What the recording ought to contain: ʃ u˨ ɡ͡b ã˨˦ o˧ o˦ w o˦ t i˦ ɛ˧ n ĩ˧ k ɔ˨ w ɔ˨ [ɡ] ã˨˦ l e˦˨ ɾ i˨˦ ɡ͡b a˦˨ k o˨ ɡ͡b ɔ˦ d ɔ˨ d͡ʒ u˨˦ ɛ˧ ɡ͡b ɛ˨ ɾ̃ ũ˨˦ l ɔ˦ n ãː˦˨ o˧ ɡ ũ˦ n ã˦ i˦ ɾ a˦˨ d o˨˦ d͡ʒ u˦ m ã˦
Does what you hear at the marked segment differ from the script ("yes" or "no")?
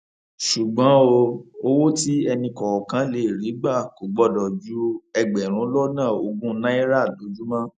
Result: yes